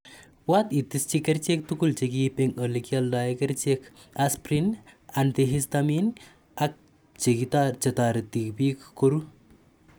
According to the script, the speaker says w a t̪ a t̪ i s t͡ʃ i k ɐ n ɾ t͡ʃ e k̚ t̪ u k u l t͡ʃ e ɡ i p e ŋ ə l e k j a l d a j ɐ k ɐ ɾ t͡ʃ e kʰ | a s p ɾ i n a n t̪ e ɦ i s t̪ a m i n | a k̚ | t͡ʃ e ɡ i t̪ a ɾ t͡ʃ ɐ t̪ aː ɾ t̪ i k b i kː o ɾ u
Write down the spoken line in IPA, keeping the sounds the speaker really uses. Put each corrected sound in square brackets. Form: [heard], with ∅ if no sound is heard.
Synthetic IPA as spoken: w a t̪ [i] t̪ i s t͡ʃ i k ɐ [∅] ɾ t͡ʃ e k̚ t̪ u k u l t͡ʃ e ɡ i p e ŋ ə l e k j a l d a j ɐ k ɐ ɾ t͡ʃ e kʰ | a s p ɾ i n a n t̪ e ɦ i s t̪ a m i n | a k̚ | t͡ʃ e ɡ i t̪ a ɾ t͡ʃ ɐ t̪ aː ɾ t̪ i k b i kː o ɾ u